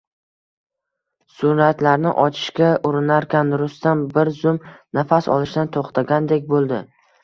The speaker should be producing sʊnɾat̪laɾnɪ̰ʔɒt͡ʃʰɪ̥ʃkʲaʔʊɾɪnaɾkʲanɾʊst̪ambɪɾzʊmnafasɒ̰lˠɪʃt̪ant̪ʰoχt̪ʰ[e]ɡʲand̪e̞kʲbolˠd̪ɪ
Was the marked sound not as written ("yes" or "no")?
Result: yes